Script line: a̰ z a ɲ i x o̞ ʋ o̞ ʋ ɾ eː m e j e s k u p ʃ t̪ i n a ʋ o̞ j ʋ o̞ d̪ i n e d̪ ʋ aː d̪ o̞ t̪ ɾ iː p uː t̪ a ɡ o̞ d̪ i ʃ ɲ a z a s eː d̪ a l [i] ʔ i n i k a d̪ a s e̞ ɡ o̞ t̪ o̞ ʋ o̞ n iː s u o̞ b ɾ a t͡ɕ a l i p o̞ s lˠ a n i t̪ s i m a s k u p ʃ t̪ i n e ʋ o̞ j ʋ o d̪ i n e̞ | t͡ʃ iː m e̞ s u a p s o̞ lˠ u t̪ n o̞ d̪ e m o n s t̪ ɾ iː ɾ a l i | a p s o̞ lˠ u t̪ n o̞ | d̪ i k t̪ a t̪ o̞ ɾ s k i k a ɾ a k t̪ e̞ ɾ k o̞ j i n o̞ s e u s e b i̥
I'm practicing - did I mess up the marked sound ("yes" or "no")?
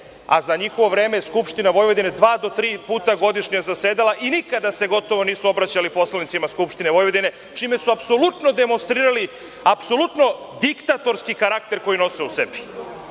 yes